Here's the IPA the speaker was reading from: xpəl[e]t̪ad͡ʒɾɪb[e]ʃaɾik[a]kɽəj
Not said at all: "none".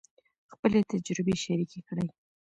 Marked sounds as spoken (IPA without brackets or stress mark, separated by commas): e, e, e